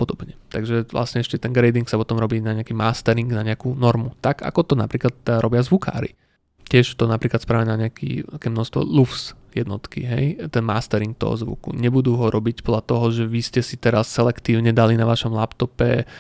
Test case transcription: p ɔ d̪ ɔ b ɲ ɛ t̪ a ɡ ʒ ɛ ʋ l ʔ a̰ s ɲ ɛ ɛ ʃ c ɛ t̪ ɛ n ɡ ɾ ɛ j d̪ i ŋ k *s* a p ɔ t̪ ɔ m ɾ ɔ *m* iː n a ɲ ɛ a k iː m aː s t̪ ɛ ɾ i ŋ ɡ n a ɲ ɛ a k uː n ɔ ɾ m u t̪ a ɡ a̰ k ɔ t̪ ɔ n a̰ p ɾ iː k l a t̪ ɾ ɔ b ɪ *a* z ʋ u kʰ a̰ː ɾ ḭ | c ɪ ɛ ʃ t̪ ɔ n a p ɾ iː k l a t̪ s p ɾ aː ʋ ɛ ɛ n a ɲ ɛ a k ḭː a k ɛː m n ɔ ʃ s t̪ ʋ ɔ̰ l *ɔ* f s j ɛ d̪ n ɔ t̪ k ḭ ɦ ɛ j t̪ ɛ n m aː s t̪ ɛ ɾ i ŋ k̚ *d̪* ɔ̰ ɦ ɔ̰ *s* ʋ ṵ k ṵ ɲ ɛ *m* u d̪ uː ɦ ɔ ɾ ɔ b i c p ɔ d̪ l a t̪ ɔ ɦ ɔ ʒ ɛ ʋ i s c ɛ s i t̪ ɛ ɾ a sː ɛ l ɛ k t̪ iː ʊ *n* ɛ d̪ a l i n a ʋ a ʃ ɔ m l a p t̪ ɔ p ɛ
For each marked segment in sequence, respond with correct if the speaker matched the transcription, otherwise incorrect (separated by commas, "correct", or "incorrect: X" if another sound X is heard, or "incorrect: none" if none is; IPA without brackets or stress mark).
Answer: correct, incorrect: b, correct, incorrect: u, incorrect: t̪, incorrect: z, incorrect: b, incorrect: ɲ